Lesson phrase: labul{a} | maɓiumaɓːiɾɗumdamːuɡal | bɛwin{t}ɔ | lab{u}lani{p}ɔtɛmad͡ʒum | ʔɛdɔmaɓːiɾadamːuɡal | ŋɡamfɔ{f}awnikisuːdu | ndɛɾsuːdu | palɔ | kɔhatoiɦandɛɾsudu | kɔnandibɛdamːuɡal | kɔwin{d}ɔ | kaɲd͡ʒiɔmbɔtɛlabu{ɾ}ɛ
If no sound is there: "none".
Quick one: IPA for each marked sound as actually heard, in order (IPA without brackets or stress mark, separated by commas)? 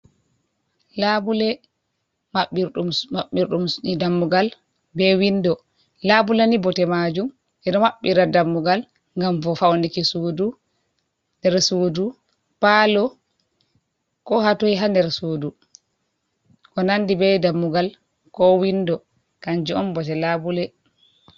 ɛ, d, u, b, f, d, l